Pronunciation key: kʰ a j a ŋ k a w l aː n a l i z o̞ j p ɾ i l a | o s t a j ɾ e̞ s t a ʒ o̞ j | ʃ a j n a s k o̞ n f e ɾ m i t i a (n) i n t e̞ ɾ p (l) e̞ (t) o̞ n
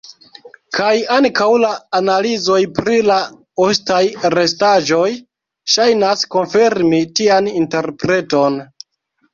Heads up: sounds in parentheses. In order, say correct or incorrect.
correct, incorrect: ɾ, correct

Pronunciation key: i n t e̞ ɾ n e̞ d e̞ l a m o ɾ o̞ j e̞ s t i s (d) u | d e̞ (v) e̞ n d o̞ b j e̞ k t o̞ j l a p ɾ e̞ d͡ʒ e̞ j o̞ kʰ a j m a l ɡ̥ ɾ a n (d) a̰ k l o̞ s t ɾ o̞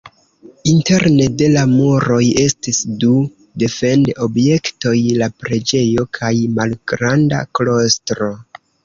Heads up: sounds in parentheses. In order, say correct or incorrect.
correct, incorrect: f, correct

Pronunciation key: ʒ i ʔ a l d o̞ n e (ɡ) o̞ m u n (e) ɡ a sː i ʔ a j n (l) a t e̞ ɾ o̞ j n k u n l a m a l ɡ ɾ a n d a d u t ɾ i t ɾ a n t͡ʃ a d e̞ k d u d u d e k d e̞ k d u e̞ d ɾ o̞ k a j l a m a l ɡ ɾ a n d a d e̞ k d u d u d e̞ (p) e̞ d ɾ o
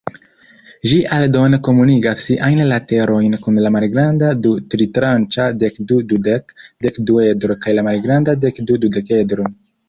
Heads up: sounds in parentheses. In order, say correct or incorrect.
incorrect: k, incorrect: i, correct, incorrect: k

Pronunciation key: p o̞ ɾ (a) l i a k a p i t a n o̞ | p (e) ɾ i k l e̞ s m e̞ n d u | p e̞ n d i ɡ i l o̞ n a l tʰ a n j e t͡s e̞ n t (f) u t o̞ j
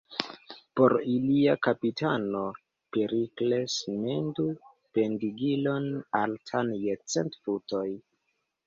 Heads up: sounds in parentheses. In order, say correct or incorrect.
incorrect: i, correct, correct

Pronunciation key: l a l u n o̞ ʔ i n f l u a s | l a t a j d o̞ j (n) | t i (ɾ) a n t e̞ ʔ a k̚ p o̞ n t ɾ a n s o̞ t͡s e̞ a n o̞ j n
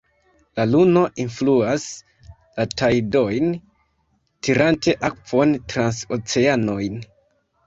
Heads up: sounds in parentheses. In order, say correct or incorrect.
correct, correct

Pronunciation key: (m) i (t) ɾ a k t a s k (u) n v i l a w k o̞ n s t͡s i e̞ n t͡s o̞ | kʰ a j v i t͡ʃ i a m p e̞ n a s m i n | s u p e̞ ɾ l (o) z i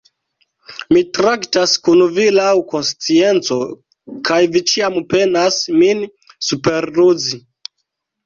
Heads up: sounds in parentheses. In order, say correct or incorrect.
correct, correct, correct, incorrect: u

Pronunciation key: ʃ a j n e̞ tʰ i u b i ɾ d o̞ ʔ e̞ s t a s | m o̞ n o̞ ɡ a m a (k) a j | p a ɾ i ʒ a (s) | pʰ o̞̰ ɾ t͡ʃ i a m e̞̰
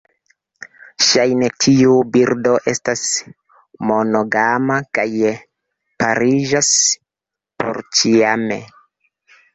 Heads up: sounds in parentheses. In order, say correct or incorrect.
correct, correct

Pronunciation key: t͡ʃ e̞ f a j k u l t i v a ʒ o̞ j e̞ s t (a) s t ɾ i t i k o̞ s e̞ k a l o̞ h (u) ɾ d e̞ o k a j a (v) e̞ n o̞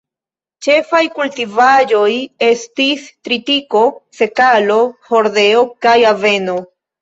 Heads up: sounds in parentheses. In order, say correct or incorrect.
incorrect: i, incorrect: o, correct

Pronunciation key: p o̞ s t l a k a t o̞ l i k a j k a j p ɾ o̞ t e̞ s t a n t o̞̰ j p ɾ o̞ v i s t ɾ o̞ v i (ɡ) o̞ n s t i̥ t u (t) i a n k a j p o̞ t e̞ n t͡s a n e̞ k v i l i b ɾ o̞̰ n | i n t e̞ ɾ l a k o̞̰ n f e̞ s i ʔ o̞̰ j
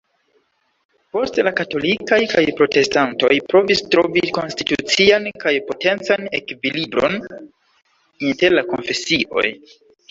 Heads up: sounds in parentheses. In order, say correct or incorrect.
incorrect: k, incorrect: t͡s

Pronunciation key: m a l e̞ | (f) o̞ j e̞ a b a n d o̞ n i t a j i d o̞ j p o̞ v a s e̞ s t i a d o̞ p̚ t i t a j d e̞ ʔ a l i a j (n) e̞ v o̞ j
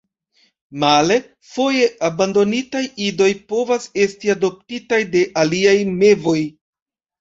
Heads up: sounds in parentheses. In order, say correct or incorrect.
correct, incorrect: m

